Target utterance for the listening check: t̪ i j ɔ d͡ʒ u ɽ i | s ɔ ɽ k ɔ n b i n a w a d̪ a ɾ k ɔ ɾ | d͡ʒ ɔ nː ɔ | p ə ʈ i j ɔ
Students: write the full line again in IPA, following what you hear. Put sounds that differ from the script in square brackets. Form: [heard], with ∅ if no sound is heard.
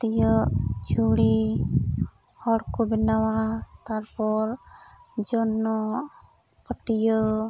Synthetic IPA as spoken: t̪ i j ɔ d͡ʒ u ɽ i | [h] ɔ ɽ k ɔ [∅] b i n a w a [t̪] a ɾ [p] ɔ ɾ | d͡ʒ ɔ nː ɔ | p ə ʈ i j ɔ